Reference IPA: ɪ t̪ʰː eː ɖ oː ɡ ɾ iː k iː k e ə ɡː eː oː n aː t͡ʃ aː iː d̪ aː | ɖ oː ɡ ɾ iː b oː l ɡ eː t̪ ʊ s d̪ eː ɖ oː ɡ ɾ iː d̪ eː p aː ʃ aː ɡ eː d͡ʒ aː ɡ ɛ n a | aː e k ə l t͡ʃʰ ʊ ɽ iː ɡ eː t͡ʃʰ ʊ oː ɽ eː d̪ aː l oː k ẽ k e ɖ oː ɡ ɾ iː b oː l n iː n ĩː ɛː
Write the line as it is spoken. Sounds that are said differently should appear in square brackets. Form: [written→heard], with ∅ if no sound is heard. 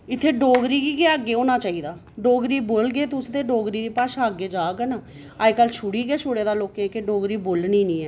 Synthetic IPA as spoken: ɪ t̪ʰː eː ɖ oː ɡ ɾ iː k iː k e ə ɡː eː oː n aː t͡ʃ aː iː d̪ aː | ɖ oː ɡ ɾ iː b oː l ɡ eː t̪ ʊ s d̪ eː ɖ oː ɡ ɾ iː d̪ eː p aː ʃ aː ɡ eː d͡ʒ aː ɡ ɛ n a | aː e k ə l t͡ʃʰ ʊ ɽ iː ɡ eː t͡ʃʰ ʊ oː ɽ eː d̪ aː l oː k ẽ k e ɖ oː ɡ ɾ iː b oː l n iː n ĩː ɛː